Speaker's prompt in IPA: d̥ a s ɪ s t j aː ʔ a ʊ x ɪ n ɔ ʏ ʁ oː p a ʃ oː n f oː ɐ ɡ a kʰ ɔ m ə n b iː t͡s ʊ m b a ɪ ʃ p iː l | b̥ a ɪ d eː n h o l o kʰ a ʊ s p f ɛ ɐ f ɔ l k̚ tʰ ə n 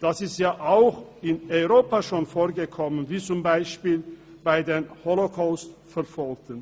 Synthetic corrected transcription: d̥ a s ɪ s t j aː ʔ a ʊ x ɪ n ɔ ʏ ʁ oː p a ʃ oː n f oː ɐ ɡ ə kʰ ɔ m ə n v iː t͡s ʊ m b a ɪ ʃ p iː l | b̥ a ɪ d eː n h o l o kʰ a ʊ s t f ɛ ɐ f ɔ l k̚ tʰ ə n